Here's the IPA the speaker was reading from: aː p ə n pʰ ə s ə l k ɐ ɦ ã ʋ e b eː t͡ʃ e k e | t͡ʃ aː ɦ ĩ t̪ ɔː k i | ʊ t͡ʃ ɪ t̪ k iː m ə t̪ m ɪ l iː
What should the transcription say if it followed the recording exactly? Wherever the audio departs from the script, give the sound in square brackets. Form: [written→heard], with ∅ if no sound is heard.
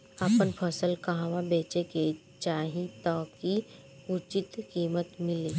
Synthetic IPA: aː p ə n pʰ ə s ə l k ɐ ɦ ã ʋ [e→a] b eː t͡ʃ e k e | t͡ʃ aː ɦ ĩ t̪ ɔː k i | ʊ t͡ʃ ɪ t̪ k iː m ə t̪ m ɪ l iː